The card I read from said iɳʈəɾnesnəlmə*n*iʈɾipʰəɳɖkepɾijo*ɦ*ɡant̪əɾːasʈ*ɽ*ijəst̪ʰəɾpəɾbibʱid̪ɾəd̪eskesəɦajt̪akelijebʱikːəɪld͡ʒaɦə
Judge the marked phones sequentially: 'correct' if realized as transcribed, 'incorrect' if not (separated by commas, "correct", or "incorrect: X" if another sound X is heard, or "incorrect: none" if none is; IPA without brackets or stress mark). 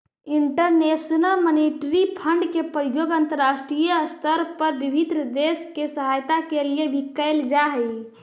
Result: correct, incorrect: none, incorrect: ɾ